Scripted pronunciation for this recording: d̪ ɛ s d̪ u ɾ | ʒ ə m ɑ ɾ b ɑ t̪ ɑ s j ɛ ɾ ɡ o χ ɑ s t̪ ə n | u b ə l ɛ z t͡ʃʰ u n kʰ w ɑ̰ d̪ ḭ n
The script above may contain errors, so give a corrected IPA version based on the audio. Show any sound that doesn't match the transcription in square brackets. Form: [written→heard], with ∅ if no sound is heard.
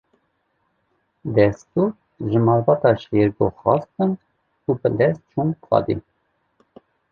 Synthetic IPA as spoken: d̪ ɛ s [d̪→t̪] u ɾ | ʒ ə m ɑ ɾ [b→v] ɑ t̪ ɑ [s→ʃ] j ɛ ɾ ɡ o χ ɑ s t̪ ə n | u b ə l ɛ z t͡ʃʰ u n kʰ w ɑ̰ d̪ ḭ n